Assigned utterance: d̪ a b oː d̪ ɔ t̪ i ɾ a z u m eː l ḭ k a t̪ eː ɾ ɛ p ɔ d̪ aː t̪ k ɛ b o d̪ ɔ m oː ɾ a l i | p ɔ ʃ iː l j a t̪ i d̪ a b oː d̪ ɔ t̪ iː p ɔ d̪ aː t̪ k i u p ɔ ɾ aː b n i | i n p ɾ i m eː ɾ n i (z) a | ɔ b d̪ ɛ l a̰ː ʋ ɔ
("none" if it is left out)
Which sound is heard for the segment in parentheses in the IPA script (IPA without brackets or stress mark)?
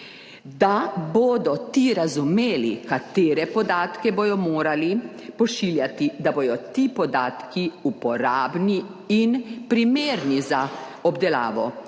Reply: z